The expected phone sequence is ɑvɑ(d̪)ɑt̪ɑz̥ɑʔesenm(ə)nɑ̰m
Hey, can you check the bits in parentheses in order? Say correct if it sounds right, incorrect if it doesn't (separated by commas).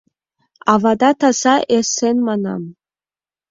correct, incorrect